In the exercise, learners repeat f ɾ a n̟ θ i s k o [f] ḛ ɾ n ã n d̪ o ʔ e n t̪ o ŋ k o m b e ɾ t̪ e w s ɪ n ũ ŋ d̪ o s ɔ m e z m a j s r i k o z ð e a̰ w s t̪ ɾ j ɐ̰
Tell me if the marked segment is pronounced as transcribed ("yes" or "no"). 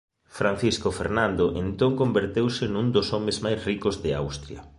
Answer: yes